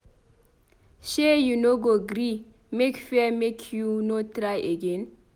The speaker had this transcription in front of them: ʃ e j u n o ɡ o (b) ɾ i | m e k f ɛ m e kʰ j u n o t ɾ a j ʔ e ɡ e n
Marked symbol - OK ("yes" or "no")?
no